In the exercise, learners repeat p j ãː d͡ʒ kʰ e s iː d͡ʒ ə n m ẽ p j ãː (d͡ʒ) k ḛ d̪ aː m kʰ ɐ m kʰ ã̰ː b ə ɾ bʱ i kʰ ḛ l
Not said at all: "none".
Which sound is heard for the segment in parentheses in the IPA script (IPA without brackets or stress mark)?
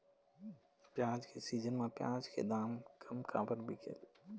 d͡ʒ